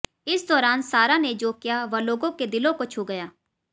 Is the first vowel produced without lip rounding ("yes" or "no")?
yes